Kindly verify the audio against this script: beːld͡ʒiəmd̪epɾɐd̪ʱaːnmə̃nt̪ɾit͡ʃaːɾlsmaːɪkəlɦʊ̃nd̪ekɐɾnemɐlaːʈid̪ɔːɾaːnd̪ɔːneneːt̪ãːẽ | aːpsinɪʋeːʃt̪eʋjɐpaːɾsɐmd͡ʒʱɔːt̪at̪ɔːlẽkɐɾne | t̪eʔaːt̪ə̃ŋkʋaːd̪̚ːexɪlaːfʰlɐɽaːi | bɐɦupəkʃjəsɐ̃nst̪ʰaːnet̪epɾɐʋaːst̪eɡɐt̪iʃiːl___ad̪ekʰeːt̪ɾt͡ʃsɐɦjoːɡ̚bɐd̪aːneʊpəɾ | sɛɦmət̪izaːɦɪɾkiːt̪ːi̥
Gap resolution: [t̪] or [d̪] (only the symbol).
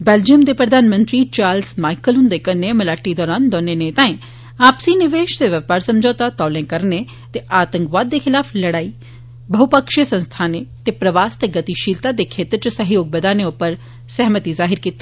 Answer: t̪